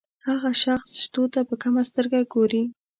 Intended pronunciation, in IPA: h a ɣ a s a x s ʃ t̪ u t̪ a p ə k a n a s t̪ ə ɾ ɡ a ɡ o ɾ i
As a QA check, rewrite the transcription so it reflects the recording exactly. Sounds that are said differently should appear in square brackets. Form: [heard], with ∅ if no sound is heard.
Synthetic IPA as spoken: h a ɣ a [ʃ] a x s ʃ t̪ [o] t̪ a p ə k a [m] a s t̪ ə ɾ ɡ a ɡ o ɾ i